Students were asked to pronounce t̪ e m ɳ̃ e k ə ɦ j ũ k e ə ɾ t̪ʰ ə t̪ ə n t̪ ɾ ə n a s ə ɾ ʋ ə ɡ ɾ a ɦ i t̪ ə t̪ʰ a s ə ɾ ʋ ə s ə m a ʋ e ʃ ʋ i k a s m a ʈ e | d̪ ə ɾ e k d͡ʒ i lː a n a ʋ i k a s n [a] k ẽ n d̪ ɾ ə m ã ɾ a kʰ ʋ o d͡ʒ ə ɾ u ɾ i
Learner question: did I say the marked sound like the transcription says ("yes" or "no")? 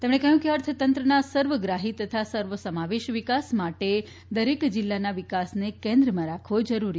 no